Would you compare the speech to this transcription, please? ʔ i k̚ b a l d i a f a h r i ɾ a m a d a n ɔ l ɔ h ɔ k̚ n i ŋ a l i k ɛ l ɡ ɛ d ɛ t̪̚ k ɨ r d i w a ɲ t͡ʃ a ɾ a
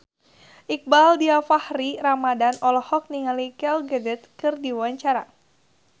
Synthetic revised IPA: ʔ i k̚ b a l d i a f a h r i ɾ a m a d a n ɔ l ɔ h ɔ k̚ n i ŋ a l i k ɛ l ɡ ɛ d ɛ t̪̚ k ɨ r d i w a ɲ t͡ʃ a ɾ a